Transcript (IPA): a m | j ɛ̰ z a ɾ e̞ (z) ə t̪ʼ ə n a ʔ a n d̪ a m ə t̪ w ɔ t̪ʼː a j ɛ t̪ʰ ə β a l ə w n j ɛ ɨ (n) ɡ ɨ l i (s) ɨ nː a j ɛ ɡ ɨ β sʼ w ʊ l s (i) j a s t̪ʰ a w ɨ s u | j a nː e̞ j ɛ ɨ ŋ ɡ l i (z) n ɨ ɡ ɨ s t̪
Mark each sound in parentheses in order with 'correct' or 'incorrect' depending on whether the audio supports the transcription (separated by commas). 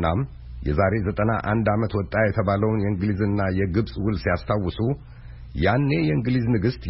correct, incorrect, incorrect, correct, correct